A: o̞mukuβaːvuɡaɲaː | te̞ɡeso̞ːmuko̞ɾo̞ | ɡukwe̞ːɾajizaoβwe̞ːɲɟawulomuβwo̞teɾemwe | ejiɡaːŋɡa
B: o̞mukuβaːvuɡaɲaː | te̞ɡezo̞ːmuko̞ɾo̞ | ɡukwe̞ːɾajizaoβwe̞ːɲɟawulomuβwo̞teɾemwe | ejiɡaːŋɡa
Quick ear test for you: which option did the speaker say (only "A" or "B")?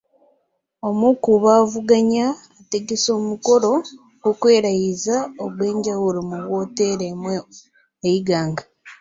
A